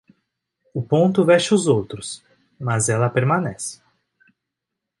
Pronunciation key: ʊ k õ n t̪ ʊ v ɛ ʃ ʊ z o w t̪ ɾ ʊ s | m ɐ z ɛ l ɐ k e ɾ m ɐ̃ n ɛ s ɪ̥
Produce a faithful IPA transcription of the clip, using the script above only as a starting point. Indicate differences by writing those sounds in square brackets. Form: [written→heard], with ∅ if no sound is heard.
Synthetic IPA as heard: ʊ [k→p] õ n t̪ ʊ v ɛ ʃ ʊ z o w t̪ ɾ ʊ s | m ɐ z ɛ l ɐ [k→p] e ɾ m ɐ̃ n ɛ s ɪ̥